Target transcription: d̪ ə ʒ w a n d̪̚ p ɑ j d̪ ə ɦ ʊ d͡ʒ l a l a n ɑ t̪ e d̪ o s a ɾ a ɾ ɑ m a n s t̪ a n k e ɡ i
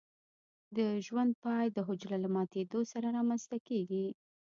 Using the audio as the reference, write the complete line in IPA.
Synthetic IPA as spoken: d̪ ə ʒ w a n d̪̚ p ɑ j d̪ ə ɦ ʊ d͡ʒ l a l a m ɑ t̪ e d̪ o s a ɾ a ɾ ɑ m a n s t̪ a k e ɡ i